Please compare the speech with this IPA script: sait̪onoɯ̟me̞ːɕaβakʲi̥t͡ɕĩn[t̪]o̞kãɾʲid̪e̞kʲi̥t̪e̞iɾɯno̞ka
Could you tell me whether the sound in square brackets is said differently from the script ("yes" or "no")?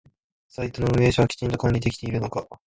no